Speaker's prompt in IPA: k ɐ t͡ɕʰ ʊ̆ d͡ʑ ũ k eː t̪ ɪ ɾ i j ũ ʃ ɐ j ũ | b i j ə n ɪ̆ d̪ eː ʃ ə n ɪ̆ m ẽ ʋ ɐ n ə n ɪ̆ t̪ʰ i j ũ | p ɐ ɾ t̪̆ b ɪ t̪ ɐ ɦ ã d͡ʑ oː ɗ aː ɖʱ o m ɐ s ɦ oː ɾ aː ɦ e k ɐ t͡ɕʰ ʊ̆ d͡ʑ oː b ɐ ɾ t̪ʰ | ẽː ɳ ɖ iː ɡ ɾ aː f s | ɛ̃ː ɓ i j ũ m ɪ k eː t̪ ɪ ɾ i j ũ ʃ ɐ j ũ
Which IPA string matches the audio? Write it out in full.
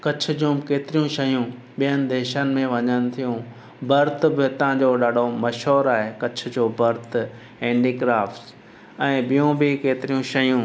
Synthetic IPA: k ɐ t͡ɕʰ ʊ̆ d͡ʑ ũ k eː t̪ ɪ ɾ i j ũ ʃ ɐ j ũ | ɓ i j ə n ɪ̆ d̪ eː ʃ ə n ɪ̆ m ẽ ʋ ɐ ɲ ə n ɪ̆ t̪ʰ i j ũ | b ɐ ɾ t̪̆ b ɪ t̪ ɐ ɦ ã d͡ʑ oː ɗ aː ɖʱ o m ɐ ʃ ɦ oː ɾ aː ɦ e k ɐ t͡ɕʰ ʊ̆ d͡ʑ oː b ɐ ɾ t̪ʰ | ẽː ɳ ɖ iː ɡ ɾ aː f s | ɛ̃ː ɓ i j ũ b ɪ k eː t̪ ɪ ɾ i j ũ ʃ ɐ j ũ